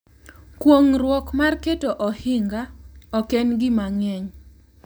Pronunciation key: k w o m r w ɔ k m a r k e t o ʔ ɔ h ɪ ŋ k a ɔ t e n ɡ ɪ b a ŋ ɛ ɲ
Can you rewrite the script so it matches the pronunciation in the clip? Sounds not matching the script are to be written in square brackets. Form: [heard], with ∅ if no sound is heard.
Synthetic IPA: k w o [ŋ] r w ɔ k m a r k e t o ʔ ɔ h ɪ ŋ [ɡ] a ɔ [k] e n ɡ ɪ [m] a ŋ ɛ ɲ